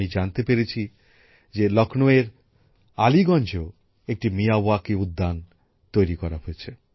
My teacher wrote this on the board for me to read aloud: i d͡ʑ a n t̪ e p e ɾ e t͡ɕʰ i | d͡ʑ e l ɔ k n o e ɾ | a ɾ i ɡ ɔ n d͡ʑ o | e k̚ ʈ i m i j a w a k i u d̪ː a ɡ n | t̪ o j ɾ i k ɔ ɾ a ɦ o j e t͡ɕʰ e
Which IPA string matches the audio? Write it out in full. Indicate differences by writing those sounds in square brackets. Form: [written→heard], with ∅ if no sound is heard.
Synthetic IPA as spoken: i d͡ʑ a n t̪ e p e ɾ e t͡ɕʰ i | d͡ʑ e l ɔ k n o e ɾ | a [ɾ→l] i ɡ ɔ n d͡ʑ o | e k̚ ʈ i m i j a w a k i u d̪ː a [ɡ→∅] n | t̪ o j ɾ i k ɔ ɾ a ɦ o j e t͡ɕʰ e